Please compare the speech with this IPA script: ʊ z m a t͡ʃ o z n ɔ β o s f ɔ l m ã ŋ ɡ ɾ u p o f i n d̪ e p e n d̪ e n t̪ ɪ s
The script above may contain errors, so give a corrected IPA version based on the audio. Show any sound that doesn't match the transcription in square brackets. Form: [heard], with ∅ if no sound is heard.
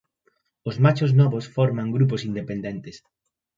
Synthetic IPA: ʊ z m a t͡ʃ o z n ɔ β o s f ɔ [ɾ] m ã ŋ ɡ ɾ u p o [s] i n d̪ e p e n d̪ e n t̪ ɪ s